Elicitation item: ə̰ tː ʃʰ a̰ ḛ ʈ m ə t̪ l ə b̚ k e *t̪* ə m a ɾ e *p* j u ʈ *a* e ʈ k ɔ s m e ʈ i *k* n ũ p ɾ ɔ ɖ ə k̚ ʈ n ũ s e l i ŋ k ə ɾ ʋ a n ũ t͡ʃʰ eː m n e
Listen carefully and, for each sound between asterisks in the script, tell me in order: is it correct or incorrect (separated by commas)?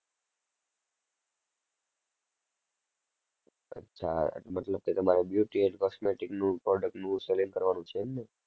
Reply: correct, incorrect, incorrect, correct